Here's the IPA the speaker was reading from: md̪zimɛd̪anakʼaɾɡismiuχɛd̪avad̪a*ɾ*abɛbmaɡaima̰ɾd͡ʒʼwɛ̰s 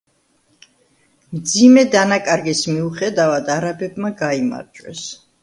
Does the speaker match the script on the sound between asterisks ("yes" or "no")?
yes